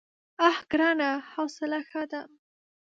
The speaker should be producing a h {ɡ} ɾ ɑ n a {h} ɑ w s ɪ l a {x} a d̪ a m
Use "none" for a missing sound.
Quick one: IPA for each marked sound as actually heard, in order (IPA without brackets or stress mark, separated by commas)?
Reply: ɡ, h, x